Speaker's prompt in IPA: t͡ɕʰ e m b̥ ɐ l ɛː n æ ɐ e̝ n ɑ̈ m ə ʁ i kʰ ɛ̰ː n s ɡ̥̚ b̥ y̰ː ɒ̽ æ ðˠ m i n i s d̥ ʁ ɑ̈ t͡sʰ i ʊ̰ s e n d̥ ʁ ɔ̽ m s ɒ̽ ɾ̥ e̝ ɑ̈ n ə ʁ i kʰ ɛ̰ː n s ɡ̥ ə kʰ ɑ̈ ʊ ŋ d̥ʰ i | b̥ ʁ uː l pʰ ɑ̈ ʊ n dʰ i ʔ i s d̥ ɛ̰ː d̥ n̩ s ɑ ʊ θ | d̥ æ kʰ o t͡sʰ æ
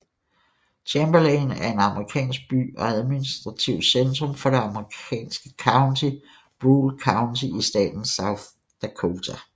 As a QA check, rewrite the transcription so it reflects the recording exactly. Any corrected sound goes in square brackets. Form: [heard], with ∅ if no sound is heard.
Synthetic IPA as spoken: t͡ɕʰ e m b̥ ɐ l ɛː n æ ɐ e̝ n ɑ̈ m ə ʁ i kʰ ɛ̰ː n s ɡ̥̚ b̥ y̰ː ɒ̽ æ ðˠ m i n i s d̥ ʁ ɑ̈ t͡sʰ i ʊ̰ s e n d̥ ʁ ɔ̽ m [f] ɒ̽ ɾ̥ e̝ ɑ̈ [m] ə ʁ i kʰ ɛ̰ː n s ɡ̥ ə kʰ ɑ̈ ʊ [n] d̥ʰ i | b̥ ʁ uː l [kʰ] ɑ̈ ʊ n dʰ i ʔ i s d̥ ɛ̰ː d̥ n̩ s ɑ ʊ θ | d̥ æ kʰ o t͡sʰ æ